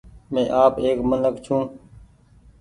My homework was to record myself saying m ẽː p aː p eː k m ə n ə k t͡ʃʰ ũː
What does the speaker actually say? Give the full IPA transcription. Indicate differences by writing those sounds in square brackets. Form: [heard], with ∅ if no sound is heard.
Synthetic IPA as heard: m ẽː [ʔ] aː p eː k m ə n ə k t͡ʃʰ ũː